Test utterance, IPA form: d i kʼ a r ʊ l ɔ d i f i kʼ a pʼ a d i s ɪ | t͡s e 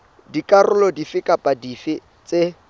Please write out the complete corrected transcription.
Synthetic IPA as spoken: d i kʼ a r ʊ l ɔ d i f ɪ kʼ a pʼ a d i f ɪ | t͡s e